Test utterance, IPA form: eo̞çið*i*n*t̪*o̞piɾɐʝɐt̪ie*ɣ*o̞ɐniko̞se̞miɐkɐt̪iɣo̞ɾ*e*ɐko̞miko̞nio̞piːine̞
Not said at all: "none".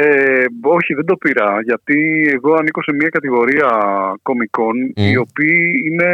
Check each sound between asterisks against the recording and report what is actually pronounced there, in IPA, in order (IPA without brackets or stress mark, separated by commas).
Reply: e, d̪, ɣ, i